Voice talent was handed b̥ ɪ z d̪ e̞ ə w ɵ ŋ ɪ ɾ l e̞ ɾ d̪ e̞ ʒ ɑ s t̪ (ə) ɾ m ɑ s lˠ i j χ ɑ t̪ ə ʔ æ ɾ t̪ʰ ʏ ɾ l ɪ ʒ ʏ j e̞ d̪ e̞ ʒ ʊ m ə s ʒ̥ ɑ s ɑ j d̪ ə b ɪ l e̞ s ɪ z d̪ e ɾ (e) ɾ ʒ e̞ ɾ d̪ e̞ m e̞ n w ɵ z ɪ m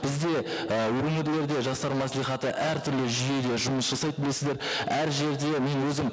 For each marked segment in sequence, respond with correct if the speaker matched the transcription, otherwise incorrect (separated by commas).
incorrect, incorrect